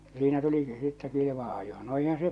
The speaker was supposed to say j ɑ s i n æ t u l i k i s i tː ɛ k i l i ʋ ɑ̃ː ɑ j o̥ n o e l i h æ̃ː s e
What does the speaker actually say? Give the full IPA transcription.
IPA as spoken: j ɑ s iː n æ t u l i k i s i tː ɛ k i l i ʋ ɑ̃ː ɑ j o̥ n o e i h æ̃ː s e